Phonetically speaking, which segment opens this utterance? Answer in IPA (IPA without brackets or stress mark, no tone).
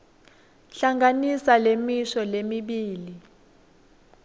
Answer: ɬ